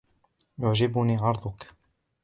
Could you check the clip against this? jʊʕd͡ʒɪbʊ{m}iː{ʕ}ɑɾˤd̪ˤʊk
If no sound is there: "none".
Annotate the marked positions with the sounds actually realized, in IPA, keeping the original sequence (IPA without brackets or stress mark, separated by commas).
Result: n, ʕ